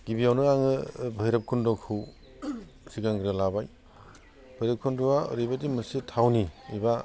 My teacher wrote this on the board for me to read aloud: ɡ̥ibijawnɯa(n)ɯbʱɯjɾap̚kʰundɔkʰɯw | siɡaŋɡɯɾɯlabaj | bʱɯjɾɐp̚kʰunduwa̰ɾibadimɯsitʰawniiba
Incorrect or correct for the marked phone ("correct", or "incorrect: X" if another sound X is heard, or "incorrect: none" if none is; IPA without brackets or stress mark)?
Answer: incorrect: ŋ